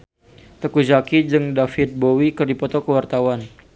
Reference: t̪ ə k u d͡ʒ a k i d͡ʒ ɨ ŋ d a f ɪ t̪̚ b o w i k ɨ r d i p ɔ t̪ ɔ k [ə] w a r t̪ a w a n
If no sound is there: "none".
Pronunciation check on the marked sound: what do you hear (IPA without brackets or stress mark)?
ə